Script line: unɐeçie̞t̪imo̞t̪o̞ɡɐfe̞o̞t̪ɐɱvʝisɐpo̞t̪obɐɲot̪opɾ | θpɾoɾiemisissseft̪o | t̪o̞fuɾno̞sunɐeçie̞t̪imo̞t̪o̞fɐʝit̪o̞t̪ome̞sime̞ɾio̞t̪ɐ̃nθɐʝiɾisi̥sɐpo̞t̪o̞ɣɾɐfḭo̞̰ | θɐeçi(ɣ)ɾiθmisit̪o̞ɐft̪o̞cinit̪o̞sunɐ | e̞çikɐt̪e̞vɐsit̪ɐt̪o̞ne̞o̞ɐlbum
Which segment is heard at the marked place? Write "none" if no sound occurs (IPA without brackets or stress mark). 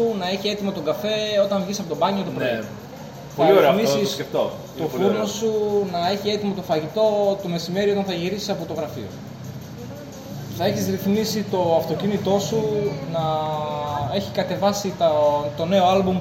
z